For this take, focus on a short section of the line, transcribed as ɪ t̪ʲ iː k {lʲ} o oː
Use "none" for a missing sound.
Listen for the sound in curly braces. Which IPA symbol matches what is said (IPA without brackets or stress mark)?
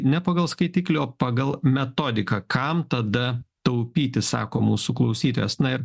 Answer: lʲ